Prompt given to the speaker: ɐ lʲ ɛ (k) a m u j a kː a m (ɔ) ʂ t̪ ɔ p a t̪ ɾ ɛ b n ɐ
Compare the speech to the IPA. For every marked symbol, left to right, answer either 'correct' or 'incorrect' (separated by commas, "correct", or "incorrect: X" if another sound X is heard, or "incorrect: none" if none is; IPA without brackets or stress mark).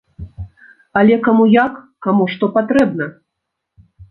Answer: correct, incorrect: u